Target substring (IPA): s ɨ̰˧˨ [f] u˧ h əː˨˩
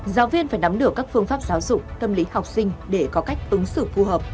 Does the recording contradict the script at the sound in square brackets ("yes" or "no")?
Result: no